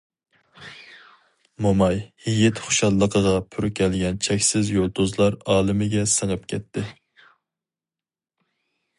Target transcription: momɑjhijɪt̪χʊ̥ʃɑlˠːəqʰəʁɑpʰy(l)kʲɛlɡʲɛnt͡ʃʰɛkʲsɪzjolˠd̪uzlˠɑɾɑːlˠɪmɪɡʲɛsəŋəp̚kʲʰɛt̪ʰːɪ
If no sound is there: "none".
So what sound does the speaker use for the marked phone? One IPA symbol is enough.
ɾ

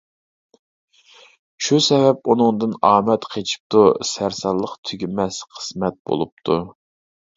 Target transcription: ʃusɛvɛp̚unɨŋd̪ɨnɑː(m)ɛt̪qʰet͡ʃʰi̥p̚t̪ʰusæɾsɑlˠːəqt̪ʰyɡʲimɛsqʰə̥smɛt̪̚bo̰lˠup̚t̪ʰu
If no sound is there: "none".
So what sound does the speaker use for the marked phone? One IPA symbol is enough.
m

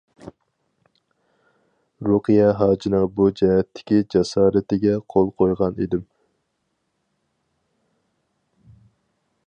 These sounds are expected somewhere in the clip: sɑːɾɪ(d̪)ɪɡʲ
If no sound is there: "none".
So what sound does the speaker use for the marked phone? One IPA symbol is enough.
t̪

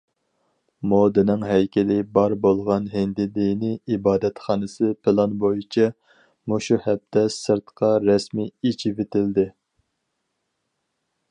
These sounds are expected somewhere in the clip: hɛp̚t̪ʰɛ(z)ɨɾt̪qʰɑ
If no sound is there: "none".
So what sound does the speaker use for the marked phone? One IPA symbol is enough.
s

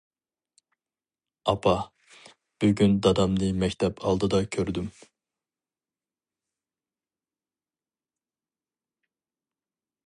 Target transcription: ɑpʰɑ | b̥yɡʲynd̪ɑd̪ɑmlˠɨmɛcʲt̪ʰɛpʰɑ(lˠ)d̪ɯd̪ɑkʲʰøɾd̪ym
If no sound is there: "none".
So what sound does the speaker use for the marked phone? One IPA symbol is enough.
lˠ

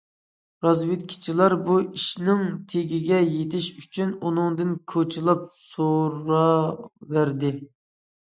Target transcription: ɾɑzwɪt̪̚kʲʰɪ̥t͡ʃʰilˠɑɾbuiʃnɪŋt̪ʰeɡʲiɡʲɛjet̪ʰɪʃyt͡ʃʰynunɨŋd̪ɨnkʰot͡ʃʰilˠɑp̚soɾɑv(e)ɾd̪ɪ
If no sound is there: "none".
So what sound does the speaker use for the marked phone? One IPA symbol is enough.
æ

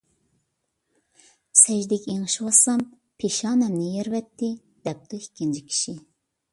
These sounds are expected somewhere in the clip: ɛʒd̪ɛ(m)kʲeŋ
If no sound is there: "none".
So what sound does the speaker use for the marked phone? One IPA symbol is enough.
none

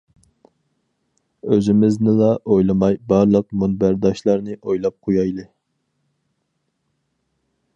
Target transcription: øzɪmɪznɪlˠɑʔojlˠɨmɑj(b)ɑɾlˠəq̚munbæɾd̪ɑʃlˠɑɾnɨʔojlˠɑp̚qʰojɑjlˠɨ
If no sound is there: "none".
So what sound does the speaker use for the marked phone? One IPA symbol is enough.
b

